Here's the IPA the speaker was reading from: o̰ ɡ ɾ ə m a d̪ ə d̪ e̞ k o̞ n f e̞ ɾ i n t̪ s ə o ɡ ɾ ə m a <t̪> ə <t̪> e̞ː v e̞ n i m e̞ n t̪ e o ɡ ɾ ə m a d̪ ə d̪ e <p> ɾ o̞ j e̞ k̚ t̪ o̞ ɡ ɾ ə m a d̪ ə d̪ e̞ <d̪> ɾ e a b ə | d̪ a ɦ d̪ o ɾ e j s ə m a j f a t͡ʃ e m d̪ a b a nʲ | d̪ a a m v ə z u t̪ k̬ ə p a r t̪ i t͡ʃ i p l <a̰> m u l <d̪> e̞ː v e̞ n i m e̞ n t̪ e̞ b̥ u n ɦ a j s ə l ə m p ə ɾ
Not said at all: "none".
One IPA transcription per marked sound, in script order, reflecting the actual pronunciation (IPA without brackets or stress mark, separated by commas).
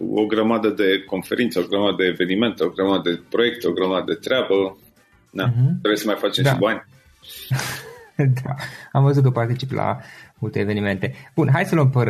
d̪, d̪, p, t̪, a̰, t̪